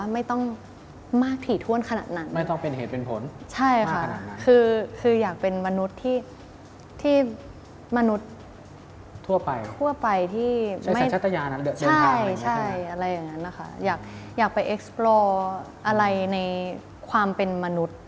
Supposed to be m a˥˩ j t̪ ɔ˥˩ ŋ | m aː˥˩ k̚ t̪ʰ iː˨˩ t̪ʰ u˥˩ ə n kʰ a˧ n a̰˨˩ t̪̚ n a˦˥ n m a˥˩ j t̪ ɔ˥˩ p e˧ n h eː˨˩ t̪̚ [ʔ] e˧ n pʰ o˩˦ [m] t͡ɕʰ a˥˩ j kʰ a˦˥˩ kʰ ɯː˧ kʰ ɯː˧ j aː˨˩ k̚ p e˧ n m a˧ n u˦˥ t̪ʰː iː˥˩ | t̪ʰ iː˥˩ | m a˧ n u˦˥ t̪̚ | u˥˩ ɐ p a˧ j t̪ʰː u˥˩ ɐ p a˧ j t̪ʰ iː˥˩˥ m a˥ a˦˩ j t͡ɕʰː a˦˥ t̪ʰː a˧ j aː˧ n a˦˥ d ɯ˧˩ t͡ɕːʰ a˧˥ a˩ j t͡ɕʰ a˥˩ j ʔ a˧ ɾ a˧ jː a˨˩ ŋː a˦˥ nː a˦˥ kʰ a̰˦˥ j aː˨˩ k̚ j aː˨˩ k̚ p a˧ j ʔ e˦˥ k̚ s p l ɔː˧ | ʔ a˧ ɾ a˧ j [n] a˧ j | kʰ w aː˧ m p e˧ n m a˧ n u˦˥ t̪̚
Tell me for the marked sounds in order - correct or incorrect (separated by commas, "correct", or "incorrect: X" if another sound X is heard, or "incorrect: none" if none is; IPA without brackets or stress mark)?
incorrect: p, incorrect: n, correct